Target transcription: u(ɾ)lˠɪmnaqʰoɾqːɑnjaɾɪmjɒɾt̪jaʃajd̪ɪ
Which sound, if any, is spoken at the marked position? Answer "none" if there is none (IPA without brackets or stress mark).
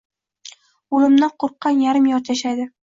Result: none